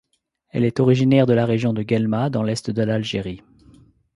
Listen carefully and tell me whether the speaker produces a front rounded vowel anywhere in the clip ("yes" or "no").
no